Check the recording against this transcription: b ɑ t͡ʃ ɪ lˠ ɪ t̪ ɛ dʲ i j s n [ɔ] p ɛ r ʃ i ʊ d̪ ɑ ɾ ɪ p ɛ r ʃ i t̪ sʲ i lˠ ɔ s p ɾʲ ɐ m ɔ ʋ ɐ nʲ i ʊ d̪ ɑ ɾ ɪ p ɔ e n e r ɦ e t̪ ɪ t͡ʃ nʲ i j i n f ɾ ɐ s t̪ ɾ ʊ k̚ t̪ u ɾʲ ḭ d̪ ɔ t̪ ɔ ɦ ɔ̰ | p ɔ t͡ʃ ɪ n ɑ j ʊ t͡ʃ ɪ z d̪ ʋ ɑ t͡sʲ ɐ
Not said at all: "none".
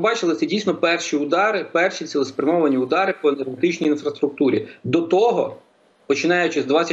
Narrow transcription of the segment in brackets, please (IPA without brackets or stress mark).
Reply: ɔ